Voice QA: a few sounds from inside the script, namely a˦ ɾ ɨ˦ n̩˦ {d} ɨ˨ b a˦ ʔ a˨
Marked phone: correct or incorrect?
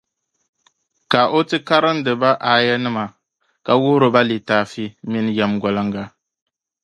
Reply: correct